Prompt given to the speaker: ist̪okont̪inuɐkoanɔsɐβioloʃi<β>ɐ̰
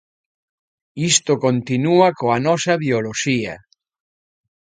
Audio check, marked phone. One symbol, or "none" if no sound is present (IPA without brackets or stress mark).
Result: none